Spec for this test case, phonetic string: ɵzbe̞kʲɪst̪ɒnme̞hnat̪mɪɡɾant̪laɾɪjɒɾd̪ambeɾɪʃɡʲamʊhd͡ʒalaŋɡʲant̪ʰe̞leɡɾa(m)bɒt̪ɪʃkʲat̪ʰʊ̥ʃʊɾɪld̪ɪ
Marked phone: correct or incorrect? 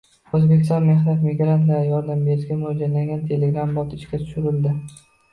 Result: correct